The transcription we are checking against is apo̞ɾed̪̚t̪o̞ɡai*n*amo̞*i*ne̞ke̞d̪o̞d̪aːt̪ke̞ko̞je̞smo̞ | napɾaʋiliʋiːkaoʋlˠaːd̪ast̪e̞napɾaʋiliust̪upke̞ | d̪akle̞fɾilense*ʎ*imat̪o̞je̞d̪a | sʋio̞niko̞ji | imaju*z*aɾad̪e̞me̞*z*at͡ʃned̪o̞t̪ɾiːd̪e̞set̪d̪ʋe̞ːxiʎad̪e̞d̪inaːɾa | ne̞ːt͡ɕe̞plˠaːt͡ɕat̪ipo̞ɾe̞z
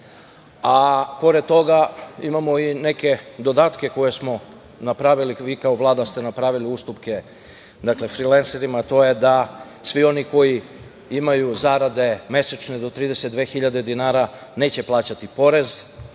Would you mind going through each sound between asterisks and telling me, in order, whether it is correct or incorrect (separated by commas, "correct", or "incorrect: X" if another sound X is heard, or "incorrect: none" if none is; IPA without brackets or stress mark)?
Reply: incorrect: m, correct, incorrect: ɾ, correct, incorrect: s